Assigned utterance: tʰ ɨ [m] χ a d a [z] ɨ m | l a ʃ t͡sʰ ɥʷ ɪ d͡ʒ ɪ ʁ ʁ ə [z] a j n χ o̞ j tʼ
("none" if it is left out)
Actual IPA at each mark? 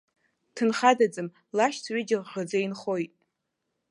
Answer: n, d͡z, d͡z

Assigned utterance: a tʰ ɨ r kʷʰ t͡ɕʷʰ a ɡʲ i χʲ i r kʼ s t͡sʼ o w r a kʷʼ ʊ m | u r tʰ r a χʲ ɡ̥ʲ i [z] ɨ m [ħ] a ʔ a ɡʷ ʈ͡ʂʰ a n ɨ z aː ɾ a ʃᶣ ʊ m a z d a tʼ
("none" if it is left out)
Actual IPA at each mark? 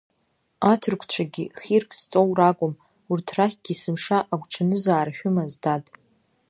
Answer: s, ʂ

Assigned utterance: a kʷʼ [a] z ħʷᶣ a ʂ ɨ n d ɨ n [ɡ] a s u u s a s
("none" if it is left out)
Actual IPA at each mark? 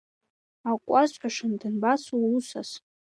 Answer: a, b

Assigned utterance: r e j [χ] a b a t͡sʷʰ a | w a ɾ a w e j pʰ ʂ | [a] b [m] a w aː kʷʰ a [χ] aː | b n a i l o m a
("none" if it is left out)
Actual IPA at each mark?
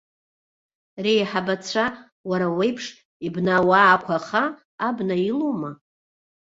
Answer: ħ, i, n, χ

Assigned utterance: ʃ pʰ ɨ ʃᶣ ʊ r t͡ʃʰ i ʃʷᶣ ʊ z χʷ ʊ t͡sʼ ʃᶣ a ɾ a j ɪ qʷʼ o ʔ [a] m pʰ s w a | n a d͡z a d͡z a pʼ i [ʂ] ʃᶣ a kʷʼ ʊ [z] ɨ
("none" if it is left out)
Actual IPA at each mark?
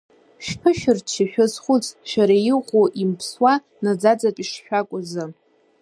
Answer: i, ʂ, z

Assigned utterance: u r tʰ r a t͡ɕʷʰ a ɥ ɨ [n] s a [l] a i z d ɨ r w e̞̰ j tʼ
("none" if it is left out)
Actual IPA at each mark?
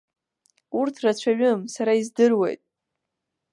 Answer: m, ɾ

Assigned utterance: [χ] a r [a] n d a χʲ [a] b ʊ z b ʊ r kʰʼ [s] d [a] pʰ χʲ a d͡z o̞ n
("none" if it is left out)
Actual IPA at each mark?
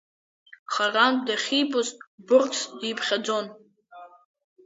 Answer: χ, a, i, s, i

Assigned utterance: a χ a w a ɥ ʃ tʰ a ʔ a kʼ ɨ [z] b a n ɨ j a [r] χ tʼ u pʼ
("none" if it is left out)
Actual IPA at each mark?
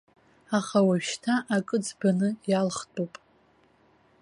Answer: d͡z, l

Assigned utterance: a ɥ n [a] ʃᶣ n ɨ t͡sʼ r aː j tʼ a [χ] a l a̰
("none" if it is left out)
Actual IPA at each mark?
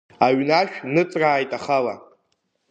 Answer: a, χ

